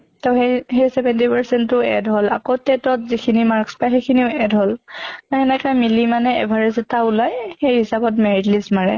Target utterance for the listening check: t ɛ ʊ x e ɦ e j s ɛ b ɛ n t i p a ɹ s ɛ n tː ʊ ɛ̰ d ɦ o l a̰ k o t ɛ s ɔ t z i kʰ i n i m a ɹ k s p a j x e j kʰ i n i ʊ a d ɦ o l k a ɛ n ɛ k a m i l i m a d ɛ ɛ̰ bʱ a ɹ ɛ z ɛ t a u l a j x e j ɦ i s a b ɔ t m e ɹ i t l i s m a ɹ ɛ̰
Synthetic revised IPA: t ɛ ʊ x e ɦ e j s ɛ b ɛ n t i p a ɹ s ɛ n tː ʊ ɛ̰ d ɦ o l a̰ k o t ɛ t ɔ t z i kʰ i n i m a ɹ k s p a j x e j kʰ i n i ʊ ɛ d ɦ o l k a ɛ n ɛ k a m i l i m a n ɛ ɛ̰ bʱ a ɹ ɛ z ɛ t a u l a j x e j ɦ i s a b ɔ t m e ɹ i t l i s m a ɹ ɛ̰